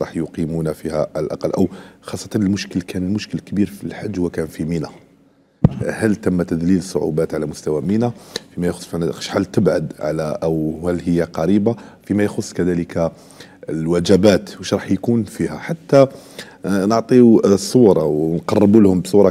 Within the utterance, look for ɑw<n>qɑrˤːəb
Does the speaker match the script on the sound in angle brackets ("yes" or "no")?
yes